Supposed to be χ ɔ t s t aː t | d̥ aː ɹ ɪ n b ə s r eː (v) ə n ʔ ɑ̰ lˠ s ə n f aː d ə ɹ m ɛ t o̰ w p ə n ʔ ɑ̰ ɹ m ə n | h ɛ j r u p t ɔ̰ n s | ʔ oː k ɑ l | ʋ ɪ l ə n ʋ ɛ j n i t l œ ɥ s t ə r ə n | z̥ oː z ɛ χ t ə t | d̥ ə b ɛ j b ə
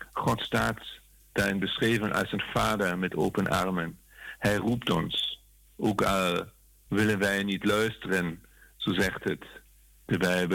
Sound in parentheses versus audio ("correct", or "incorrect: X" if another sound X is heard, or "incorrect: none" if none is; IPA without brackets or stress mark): correct